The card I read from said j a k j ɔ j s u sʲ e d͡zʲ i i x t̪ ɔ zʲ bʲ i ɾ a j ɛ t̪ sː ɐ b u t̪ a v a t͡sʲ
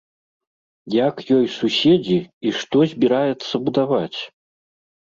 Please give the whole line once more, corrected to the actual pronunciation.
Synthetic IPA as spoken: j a k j ɔ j s u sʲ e d͡zʲ i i ʂ t̪ ɔ zʲ bʲ i ɾ a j ɛ t̪ sː ɐ b u d̪ a v a t͡sʲ